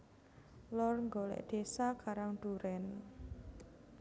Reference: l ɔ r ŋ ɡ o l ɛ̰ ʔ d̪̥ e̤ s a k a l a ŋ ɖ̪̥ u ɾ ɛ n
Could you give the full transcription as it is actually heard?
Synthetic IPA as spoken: l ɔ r ŋ ɡ o l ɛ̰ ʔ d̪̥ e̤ s a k a ɾ a ŋ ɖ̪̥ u ɾ ɛ n